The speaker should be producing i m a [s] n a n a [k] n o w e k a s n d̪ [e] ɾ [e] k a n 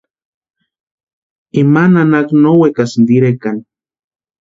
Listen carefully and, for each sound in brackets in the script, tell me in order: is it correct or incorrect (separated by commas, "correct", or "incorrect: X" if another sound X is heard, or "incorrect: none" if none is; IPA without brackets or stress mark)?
incorrect: none, correct, incorrect: i, correct